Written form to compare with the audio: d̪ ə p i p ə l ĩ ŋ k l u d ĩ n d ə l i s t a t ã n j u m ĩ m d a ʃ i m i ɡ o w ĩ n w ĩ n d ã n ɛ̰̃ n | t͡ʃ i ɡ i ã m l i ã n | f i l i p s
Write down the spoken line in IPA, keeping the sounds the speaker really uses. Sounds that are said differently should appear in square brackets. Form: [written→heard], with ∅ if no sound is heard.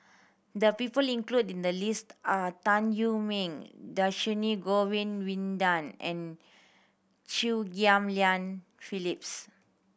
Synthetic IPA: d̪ ə p i p ə l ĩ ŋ k l u d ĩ n d ə l i s t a t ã n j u m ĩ [m→ŋ] d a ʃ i [m→n] i ɡ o w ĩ n w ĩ n d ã n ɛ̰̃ n | t͡ʃ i ɡ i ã m l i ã n | f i l i p s